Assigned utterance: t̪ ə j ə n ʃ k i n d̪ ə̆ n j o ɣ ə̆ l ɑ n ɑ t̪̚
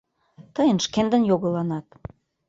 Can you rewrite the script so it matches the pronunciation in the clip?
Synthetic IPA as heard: t̪ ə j ə n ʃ k e n d̪ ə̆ n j o ɣ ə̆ l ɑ n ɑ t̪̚

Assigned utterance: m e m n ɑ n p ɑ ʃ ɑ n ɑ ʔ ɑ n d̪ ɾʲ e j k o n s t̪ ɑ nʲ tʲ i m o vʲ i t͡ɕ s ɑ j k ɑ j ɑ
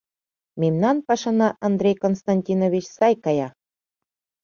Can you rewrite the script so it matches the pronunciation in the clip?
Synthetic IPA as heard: m e m n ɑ n p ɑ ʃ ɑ n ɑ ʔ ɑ n d̪ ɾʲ e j k o n s t̪ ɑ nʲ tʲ i n o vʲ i t͡ɕ s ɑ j k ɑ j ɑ

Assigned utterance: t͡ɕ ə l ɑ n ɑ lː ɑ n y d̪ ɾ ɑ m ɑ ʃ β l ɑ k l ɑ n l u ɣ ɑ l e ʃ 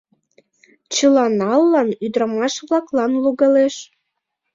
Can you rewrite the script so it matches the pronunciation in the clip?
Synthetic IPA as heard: t͡ɕ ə l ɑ n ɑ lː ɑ n y d̪ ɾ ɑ m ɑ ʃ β l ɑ k l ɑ n l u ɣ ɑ l e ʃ

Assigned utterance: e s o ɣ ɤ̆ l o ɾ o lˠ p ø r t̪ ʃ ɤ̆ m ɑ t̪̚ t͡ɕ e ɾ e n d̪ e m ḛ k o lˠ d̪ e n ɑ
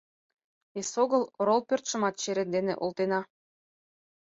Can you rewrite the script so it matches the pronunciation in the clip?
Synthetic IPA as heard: e s o ɣ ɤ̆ l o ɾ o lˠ p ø r t̪ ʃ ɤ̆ m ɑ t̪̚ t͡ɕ e ɾ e n d̪ e n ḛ ʔ o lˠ t̪ e n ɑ

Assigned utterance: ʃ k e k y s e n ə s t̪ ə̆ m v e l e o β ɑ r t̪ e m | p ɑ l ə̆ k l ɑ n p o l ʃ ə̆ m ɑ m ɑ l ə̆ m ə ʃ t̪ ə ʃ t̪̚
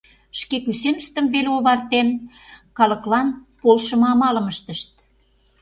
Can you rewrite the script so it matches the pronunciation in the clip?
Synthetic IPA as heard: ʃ k e k y s e n ə ʃ t̪ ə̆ m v e l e o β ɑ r t̪ e n | k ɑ l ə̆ k l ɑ n p o l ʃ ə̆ m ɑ m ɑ l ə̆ m ə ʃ t̪ ə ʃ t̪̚

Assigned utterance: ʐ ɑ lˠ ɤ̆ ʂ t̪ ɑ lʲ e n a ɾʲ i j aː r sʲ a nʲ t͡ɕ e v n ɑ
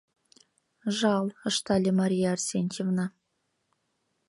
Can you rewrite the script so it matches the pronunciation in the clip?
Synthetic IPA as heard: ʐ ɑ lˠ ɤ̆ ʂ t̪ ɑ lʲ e m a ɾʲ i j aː r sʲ e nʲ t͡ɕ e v n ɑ

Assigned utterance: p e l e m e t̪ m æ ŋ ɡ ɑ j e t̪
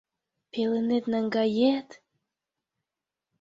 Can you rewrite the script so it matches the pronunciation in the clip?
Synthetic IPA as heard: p e l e n e t̪ n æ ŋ ɡ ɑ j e t̪

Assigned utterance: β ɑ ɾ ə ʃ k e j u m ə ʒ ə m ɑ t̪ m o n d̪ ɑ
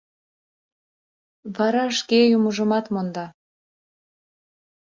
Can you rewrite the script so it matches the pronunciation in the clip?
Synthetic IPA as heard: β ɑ ɾ ɑ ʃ k e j u m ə ʒ ə m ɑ t̪ m o n d̪ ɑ

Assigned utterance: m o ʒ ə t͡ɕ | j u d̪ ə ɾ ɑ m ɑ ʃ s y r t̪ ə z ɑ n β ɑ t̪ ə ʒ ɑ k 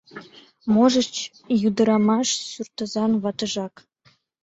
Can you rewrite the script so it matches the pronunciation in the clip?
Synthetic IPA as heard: m o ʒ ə t͡ɕ | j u d̪ ə ɾ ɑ m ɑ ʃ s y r t̪ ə z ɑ n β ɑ t̪ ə ʒ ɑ k

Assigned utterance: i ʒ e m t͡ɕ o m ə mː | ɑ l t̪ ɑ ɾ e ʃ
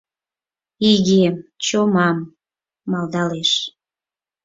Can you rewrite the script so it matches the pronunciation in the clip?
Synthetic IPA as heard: i ɣ e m t͡ɕ o m ɑ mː | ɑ l d̪ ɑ l e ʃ

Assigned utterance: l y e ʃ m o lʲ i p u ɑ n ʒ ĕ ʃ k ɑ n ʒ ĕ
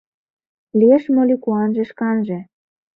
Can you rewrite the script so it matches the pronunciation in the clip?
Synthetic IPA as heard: l i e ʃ m o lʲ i k u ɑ n ʒ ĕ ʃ k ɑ n ʒ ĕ

